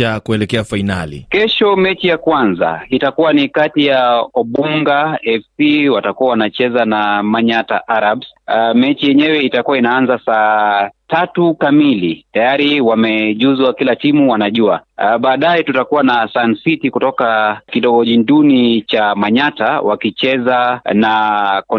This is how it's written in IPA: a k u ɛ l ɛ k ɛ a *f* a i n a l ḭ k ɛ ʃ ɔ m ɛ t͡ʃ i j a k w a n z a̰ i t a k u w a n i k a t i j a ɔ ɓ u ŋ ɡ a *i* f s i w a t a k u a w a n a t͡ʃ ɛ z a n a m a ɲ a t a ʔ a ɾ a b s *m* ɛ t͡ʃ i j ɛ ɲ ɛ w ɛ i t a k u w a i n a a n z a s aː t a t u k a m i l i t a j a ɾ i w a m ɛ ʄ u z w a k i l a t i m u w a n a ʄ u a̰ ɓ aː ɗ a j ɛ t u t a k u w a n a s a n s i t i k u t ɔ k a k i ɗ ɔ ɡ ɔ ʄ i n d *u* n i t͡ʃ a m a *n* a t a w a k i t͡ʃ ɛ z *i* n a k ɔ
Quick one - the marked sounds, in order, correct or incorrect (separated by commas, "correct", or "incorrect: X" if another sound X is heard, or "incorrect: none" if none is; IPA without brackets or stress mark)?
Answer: correct, incorrect: ɛ, correct, correct, incorrect: ɲ, incorrect: a